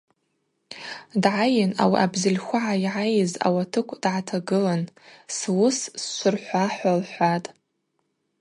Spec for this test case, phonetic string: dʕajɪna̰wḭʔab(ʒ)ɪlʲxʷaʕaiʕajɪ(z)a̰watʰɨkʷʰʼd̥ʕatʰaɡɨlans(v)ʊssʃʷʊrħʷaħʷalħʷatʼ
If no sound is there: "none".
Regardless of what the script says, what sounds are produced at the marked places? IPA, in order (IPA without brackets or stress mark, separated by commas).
z, z, w